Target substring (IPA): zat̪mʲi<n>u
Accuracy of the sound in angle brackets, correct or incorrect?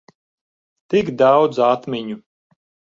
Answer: incorrect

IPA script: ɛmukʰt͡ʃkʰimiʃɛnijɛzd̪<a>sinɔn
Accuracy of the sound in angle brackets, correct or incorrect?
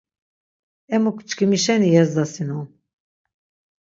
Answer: correct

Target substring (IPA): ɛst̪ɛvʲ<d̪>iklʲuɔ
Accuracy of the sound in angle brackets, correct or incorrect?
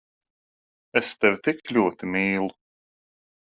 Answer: incorrect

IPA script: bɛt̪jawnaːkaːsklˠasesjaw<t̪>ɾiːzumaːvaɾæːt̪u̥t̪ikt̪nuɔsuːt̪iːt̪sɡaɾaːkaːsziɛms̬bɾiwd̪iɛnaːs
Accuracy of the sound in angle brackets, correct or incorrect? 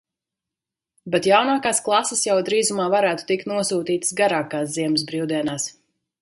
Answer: incorrect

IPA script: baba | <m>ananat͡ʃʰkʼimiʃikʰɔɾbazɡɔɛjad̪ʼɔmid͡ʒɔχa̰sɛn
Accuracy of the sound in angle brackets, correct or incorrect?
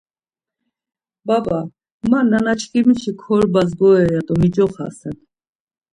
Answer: correct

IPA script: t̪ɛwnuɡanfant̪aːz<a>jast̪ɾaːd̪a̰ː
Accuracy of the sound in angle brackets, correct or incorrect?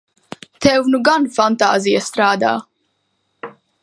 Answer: incorrect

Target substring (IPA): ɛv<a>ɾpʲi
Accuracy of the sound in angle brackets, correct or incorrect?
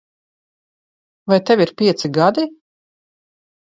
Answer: incorrect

